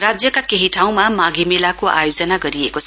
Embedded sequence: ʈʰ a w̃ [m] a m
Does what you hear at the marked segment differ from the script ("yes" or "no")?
no